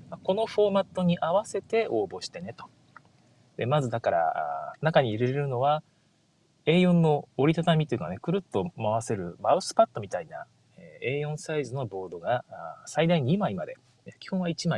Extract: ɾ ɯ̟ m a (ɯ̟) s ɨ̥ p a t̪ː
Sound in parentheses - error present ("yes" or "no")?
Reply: no